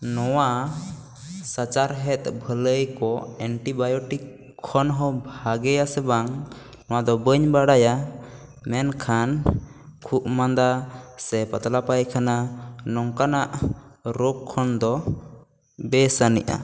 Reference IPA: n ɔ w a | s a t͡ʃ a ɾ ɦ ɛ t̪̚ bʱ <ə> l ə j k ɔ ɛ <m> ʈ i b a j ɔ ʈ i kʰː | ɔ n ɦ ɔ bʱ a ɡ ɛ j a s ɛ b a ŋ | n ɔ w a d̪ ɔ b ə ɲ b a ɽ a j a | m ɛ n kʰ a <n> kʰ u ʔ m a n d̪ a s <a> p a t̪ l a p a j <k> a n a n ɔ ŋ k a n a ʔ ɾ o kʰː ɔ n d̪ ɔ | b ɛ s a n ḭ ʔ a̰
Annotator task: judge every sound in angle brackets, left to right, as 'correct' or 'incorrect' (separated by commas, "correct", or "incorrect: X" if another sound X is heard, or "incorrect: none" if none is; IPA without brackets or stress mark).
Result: correct, incorrect: ɳ, correct, incorrect: ɛ, incorrect: kʰ